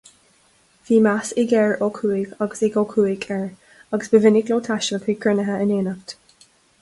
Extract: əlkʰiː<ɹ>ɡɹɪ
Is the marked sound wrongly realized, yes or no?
yes